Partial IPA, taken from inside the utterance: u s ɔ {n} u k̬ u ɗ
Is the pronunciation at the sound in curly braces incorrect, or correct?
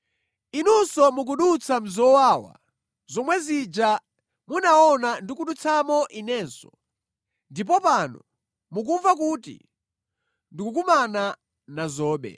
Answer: incorrect: m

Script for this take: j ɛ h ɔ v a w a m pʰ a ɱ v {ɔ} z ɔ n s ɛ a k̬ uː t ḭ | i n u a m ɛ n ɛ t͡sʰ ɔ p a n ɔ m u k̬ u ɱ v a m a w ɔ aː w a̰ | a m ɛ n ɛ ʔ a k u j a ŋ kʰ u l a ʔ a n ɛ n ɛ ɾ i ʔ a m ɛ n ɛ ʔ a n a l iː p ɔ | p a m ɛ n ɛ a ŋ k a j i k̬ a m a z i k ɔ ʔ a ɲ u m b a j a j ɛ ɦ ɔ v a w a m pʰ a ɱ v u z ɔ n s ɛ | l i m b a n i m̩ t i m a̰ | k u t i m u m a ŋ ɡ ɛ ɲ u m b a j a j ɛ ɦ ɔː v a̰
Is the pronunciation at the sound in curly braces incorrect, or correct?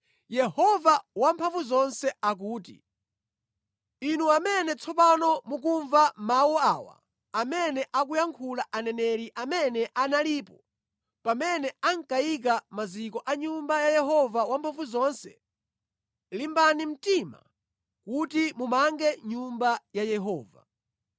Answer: incorrect: u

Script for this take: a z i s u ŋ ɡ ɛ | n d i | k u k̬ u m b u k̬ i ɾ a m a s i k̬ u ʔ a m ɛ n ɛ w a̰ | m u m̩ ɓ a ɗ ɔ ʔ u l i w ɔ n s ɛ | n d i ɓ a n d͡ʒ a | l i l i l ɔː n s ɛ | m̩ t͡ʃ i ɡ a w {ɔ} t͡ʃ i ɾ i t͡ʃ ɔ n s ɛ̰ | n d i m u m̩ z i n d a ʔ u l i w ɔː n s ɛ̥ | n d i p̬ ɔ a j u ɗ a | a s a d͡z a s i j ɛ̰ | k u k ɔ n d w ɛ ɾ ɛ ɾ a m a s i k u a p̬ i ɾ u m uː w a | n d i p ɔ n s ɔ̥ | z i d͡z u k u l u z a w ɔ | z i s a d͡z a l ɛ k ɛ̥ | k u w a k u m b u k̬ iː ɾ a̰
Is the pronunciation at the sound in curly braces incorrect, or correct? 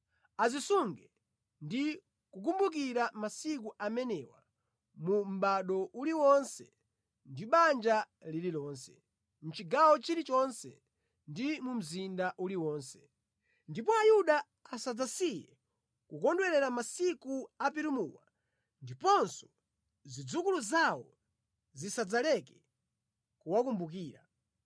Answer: correct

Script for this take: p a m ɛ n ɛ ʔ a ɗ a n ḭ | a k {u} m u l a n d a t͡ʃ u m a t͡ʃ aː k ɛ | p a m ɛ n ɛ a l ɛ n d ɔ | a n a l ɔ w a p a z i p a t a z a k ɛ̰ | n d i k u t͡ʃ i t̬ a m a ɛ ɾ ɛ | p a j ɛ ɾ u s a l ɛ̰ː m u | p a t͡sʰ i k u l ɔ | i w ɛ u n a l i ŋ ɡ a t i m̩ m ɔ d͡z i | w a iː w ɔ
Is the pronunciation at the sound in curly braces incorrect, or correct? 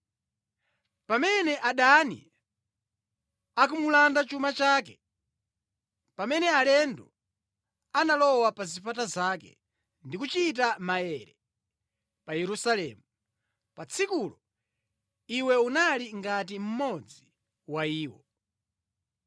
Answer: correct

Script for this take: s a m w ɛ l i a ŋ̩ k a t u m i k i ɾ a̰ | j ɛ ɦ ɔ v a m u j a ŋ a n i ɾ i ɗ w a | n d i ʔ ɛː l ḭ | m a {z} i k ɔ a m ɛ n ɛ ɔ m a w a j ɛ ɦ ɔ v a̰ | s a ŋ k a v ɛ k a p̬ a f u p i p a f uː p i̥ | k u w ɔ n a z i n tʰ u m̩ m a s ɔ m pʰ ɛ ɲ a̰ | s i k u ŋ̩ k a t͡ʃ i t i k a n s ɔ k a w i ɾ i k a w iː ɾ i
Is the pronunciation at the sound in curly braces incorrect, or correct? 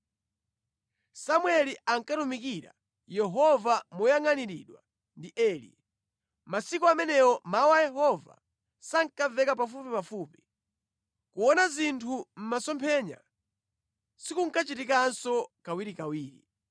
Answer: incorrect: s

